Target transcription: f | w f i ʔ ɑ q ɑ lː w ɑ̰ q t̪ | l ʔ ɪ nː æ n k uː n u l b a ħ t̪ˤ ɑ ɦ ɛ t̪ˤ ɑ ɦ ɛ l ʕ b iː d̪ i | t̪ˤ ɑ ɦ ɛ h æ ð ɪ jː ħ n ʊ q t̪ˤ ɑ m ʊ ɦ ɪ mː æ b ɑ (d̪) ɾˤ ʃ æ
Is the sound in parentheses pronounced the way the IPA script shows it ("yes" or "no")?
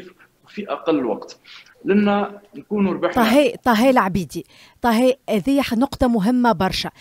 no